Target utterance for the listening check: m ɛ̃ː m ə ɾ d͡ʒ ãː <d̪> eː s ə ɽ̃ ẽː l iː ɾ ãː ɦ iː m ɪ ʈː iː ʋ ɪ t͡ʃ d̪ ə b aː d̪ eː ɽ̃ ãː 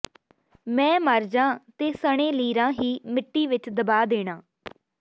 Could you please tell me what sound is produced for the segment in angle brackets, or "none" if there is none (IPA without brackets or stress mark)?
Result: t̪